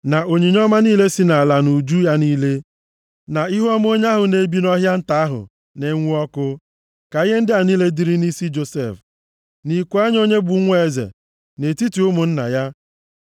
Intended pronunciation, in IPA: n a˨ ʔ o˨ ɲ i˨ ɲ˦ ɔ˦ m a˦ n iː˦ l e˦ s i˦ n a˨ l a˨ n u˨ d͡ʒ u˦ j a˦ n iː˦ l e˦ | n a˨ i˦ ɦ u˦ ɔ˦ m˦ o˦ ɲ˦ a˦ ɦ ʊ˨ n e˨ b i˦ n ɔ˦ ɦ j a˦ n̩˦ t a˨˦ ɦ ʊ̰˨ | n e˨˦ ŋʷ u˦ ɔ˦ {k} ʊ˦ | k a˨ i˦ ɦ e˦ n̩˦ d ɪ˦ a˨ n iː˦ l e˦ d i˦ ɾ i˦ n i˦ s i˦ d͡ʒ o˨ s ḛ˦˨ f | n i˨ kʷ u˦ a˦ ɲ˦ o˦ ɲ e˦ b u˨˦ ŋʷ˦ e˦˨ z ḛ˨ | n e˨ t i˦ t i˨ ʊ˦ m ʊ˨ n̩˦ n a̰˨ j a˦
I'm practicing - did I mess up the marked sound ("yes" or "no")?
no